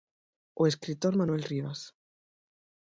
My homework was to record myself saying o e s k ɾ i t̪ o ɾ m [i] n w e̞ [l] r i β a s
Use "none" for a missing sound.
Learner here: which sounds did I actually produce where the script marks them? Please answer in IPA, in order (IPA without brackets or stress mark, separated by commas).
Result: a, l